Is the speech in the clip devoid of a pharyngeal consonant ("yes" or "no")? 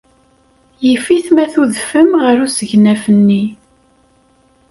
yes